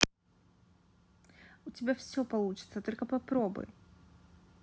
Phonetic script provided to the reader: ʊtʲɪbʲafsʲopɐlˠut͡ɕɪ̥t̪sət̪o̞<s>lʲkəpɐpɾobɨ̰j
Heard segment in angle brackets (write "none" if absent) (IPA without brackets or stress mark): none